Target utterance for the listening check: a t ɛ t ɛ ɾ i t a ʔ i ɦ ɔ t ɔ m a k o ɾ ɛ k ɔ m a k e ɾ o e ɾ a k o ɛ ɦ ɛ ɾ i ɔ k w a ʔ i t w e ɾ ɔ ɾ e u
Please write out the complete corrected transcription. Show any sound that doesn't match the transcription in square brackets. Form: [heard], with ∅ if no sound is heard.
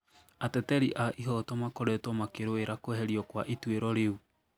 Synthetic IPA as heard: a t ɛ t ɛ ɾ i [ʔ] a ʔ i ɦ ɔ t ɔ m a k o ɾ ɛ [t] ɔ m a k e ɾ o e ɾ a k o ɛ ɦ ɛ ɾ i ɔ k w a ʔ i t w e ɾ ɔ ɾ e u